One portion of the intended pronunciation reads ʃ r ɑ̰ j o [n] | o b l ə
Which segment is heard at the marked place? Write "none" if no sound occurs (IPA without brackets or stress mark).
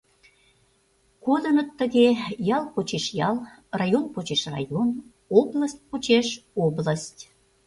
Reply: n